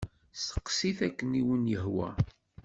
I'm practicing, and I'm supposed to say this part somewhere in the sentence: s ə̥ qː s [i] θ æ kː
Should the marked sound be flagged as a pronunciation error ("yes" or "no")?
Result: no